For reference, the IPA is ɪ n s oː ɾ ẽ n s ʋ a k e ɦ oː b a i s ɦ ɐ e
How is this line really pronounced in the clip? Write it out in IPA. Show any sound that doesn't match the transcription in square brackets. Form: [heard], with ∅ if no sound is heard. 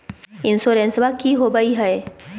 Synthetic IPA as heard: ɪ n s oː ɾ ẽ n s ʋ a k [i] ɦ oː b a i [∅] ɦ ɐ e